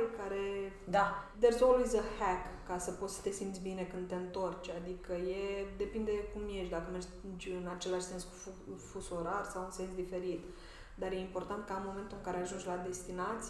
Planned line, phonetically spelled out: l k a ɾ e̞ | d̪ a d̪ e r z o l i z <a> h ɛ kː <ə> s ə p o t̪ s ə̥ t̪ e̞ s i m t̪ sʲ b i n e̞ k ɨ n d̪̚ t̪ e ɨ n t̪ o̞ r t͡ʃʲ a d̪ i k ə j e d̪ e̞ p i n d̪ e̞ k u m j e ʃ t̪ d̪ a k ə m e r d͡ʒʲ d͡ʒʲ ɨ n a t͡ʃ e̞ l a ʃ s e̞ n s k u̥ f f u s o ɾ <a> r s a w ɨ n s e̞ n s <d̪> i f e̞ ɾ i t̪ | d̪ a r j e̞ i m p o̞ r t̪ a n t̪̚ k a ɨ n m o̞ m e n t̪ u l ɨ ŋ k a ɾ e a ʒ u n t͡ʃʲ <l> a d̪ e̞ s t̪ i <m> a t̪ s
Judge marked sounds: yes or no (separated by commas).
no, no, yes, yes, yes, no